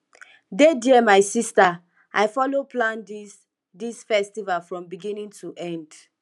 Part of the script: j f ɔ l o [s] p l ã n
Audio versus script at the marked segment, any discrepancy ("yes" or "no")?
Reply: yes